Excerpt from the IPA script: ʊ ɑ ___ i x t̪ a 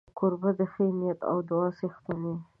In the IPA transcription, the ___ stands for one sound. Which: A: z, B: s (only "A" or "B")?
B